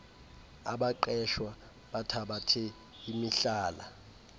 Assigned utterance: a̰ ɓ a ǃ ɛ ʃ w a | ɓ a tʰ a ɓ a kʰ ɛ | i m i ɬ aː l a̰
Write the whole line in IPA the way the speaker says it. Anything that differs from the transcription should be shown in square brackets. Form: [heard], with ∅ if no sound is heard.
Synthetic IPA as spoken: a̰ ɓ a ǃ ɛ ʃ w a | ɓ a tʰ a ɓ a [tʰ] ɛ | i m i ɬ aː l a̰